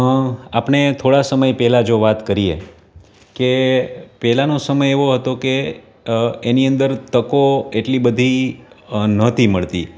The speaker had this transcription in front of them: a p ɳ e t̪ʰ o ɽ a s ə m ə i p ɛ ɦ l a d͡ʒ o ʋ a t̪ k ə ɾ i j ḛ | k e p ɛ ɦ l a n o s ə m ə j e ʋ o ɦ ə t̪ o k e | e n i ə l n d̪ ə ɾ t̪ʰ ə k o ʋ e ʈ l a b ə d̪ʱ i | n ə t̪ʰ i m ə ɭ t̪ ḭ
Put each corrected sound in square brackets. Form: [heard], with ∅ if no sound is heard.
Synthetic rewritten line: a p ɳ e t̪ʰ o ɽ a s ə m ə [j] p ɛ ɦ l a d͡ʒ o ʋ a t̪ k ə ɾ i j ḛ | k e p ɛ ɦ l a n o s ə m ə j e ʋ o ɦ ə t̪ o k e | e n i ə [∅] n d̪ ə ɾ [t̪] ə k o [∅] e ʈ l [i] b ə d̪ʱ i | n ə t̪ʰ i m ə ɭ t̪ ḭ